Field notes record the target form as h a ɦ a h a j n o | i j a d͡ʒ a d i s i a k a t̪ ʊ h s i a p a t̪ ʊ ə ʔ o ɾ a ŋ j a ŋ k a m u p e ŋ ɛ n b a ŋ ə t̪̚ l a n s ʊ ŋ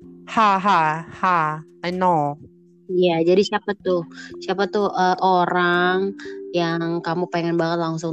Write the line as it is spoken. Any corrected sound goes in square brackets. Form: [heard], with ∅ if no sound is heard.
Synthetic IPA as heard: h a ɦ a h a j n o | i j a d͡ʒ a d i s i a [p] a t̪ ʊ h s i a p a t̪ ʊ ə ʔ o ɾ a ŋ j a ŋ k a m u p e ŋ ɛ n b a ŋ ə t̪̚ l a [ŋ] s ʊ ŋ